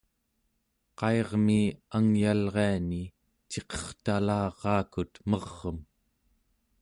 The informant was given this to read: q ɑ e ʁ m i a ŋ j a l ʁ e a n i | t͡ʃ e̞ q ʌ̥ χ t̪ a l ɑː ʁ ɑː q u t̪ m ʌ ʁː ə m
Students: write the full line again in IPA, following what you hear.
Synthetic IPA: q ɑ e ʁ m i a ŋ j a l ʁ e a n i | t͡ʃ e̞ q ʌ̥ χ t̪ a l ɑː ʁ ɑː k u t̪ m ʌ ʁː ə m